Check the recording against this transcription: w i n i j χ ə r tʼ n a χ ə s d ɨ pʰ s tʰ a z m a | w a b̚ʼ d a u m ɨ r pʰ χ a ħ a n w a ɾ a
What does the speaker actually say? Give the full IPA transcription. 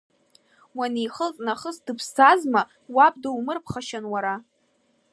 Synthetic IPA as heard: w a n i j χ ə l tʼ n a χ ə s d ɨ pʰ s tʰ a z m a | w a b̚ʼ d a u m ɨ r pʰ χ a ʃ a n w a ɾ a